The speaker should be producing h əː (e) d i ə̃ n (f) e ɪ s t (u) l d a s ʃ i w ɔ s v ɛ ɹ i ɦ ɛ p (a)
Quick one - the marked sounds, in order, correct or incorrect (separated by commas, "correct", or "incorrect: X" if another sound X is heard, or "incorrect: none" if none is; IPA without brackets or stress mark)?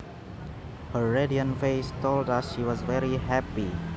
correct, correct, incorrect: o, incorrect: i